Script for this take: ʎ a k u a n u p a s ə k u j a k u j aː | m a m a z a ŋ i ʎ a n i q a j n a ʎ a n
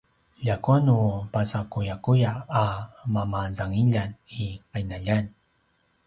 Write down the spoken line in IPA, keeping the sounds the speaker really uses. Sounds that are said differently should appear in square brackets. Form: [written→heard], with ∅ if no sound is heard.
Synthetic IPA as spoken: ʎ a k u a n u p a s [ə→a] k u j a k u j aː | m a m a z a ŋ i ʎ a n i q a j n a ʎ a n